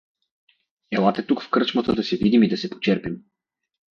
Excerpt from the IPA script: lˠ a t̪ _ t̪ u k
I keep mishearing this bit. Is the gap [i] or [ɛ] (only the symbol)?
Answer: ɛ